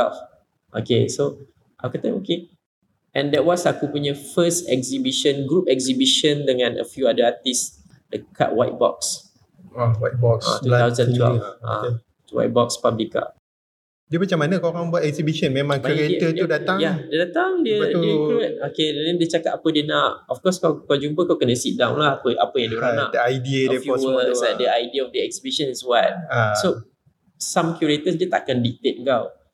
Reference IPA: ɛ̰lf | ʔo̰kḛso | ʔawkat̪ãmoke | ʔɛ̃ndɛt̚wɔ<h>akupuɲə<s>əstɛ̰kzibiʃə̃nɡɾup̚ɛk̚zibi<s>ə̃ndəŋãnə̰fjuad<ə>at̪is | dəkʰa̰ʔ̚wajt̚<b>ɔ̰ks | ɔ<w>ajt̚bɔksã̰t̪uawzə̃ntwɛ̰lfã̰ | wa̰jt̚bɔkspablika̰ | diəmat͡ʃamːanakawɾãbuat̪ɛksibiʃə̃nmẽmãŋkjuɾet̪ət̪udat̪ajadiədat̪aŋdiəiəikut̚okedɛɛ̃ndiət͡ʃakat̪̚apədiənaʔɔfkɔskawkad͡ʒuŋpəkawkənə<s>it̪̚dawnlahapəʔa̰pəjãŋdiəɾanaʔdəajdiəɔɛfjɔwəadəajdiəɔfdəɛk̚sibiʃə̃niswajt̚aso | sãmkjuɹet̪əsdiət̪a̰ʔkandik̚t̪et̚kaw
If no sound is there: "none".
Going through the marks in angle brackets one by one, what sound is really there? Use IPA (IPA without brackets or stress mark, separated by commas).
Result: s, f, ʃ, ə, b, w, s